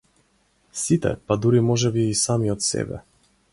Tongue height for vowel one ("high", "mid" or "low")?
high